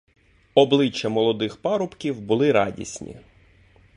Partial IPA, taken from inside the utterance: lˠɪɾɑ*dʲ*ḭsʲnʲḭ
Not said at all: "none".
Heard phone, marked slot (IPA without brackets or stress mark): dʲ